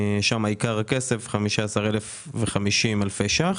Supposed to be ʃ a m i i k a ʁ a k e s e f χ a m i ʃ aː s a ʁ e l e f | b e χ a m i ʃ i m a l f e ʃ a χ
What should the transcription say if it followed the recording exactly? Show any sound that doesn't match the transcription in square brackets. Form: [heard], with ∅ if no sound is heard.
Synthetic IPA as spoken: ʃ a m [a] i k a ʁ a k e s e f χ a m i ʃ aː s a ʁ e l e f | [v] e χ a m i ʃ i m a l f e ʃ a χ